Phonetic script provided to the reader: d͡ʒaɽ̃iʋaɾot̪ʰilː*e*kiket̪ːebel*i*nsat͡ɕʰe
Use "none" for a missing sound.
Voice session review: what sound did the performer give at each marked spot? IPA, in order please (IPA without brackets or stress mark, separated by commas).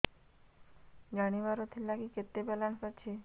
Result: a, a